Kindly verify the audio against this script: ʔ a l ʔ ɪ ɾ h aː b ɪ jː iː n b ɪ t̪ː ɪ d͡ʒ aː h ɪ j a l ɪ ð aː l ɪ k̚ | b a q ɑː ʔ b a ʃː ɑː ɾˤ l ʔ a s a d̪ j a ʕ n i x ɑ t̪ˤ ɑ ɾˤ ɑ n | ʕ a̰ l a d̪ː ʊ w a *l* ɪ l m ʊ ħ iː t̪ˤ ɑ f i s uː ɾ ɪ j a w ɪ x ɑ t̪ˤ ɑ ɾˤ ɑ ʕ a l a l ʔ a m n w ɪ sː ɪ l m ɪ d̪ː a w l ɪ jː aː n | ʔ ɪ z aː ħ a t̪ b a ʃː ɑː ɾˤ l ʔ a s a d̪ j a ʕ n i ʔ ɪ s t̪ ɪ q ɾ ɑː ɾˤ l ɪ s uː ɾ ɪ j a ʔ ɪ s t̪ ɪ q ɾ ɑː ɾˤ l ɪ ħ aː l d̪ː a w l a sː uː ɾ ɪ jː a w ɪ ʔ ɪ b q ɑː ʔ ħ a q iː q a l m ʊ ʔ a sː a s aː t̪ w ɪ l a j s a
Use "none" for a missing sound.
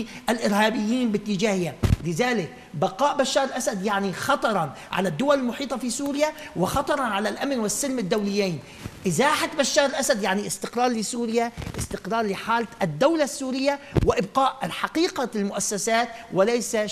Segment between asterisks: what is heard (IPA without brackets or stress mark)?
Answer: l